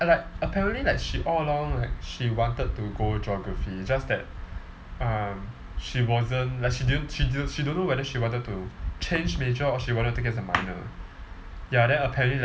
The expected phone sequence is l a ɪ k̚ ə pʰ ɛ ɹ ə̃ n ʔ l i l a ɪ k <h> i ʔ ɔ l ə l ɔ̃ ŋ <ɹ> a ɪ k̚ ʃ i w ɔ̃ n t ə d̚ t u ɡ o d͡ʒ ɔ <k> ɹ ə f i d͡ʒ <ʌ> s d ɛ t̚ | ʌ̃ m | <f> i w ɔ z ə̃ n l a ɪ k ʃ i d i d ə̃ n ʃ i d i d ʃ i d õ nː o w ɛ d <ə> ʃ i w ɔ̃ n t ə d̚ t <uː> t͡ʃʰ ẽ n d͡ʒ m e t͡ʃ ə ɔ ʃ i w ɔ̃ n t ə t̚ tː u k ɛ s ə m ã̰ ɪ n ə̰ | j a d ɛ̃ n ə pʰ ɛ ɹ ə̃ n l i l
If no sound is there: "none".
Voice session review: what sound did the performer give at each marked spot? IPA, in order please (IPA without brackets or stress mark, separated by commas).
ʃ, l, ɡ, a, ʃ, ə, u